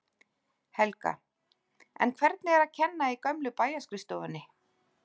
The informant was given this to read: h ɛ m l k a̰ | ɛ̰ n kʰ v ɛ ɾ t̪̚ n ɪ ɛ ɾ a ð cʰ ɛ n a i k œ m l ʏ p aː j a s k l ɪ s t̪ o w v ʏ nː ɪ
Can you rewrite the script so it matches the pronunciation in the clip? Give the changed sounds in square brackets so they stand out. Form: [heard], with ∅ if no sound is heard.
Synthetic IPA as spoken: h ɛ [∅] l k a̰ | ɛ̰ n kʰ v ɛ ɾ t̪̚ n ɪ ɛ ɾ a ð cʰ ɛ [nː] a i k œ m l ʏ p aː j a s k [ɾ] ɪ s t̪ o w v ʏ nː ɪ